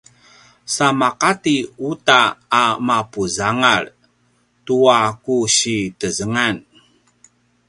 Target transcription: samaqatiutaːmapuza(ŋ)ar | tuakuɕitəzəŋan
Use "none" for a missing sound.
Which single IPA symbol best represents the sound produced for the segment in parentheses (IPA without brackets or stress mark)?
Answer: ŋ